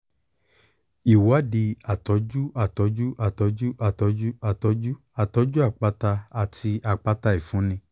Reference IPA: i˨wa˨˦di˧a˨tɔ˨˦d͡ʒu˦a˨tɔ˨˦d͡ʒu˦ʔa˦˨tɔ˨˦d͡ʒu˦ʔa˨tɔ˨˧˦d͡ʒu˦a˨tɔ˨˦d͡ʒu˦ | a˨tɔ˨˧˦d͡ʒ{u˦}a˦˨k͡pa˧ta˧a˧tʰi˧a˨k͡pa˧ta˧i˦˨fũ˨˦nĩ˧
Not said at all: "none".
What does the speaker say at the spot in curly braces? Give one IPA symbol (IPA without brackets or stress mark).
u˦